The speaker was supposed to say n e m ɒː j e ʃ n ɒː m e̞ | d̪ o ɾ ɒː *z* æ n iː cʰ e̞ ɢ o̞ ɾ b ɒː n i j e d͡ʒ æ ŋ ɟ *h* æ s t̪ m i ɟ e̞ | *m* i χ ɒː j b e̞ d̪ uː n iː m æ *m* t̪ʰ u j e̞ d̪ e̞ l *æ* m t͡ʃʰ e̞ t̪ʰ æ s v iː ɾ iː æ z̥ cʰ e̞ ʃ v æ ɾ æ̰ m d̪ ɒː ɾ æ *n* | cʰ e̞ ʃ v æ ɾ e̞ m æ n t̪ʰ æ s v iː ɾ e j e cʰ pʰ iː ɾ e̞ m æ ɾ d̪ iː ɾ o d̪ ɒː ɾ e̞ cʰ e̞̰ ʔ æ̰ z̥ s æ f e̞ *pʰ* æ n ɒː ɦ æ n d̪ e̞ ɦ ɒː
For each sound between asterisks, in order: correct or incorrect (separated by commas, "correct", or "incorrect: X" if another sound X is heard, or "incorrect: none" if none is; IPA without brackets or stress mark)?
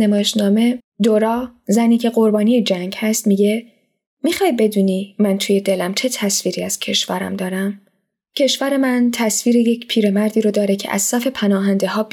correct, correct, correct, incorrect: n, correct, incorrect: m, correct